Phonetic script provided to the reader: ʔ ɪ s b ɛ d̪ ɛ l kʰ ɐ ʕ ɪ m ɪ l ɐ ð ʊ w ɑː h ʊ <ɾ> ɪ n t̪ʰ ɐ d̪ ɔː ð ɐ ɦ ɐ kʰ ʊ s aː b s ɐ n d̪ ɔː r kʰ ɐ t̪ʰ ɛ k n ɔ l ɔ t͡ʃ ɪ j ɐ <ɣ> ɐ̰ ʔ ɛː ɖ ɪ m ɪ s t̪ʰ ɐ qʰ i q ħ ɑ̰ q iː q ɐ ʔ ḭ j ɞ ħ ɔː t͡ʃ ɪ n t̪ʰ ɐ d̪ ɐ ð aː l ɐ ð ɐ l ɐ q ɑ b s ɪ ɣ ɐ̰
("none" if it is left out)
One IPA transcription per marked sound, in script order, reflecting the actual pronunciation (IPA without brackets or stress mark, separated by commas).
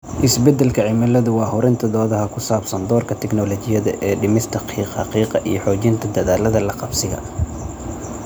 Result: ɾ, ð